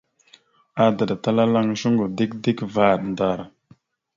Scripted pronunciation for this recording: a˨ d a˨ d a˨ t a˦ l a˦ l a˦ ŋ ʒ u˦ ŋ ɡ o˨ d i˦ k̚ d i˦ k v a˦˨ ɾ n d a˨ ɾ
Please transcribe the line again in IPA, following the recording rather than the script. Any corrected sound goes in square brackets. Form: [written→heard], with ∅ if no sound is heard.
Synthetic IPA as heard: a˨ d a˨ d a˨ t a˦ l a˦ l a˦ ŋ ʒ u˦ ŋ ɡ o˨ d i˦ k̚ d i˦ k v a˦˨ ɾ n d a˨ ɾ